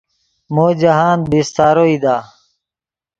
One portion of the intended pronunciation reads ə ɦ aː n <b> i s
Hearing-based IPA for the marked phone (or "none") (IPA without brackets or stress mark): b